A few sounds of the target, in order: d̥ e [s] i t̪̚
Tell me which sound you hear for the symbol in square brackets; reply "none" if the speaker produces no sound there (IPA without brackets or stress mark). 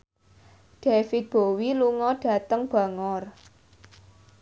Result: f